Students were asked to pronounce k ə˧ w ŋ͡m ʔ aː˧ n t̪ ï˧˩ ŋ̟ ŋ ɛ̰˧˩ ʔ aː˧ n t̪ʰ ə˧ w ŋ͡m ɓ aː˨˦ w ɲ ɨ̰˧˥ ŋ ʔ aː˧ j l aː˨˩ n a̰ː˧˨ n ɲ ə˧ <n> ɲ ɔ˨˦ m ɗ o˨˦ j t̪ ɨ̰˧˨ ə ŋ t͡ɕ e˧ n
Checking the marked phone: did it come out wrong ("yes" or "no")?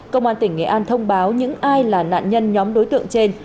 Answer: no